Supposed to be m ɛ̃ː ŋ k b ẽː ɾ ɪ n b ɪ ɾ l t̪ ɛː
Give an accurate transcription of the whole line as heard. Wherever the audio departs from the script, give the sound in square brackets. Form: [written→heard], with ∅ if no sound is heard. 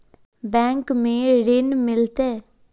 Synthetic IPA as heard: [m→b] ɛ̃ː ŋ k [b→m] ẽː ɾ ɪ n [b→m] ɪ [ɾ→∅] l t̪ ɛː